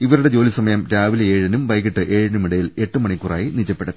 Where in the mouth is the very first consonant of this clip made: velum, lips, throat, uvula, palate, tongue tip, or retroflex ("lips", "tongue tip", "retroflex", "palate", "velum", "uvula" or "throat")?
lips